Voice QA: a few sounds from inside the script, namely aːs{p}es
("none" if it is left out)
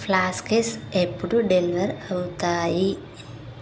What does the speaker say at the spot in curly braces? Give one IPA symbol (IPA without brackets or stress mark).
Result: k